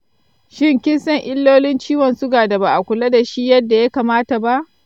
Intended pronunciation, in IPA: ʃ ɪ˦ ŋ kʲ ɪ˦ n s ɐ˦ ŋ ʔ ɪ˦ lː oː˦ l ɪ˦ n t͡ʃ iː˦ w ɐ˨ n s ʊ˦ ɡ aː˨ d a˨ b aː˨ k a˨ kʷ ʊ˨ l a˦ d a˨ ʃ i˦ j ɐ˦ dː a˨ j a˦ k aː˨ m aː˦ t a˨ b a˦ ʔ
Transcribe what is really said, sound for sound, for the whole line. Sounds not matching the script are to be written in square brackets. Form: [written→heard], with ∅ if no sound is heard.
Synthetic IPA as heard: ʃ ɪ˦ ŋ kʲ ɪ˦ n s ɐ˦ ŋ ʔ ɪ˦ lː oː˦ l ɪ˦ n t͡ʃ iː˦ w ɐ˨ n s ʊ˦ ɡ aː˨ d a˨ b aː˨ [k→ʔ] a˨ kʷ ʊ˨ l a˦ d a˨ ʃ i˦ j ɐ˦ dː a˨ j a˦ k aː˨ m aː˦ t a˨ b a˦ ʔ